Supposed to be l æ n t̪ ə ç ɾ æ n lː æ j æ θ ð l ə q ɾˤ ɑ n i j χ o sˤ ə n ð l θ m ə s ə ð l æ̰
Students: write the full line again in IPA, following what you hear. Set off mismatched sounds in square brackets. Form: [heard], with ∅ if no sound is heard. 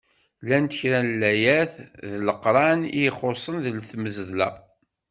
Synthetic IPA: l æ n t̪ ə ç ɾ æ n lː æ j æ θ ð l ə q ɾˤ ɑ n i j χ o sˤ ə n ð l θ m ə [z] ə ð l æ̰